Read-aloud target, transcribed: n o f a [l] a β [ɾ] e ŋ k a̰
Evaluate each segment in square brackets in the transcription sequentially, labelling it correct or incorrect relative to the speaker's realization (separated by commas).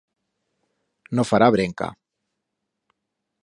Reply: incorrect, correct